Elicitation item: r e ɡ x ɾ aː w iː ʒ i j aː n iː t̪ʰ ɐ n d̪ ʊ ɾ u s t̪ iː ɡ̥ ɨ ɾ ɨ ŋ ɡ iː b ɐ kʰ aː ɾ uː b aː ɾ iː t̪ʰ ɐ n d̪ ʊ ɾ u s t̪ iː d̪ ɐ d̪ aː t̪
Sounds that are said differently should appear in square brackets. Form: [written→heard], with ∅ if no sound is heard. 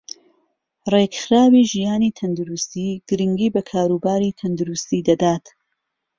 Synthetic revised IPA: r e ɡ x ɾ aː w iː ʒ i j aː n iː t̪ʰ ɐ n d̪ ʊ ɾ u s t̪ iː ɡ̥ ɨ ɾ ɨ ŋ ɡ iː b ɐ kʰ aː ɾ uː b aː ɾ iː t̪ʰ ɐ n d̪ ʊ ɾ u s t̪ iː d̪ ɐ d̪ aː t̪